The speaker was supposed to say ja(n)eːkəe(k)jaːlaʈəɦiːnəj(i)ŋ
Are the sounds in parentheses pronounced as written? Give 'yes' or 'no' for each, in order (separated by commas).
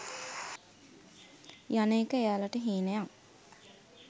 yes, no, no